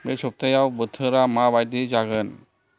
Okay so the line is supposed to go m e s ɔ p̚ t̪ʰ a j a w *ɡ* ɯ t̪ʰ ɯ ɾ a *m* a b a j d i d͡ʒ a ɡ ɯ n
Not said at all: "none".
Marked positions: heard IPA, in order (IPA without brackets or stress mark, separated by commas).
b, m